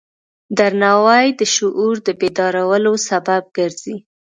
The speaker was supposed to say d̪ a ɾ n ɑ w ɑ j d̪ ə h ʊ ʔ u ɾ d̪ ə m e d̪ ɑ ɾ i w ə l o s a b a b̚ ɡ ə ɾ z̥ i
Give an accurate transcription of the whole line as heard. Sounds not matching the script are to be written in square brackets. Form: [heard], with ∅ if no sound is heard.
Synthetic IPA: d̪ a ɾ n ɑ w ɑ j d̪ ə [ʃ] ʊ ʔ u ɾ d̪ ə [b] e d̪ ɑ ɾ [a] w ə l o s a b a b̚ ɡ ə ɾ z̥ i